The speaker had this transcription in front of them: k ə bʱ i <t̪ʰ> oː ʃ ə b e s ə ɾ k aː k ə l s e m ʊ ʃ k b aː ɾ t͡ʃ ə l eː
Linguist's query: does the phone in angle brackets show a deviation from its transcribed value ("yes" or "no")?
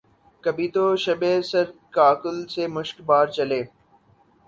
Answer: yes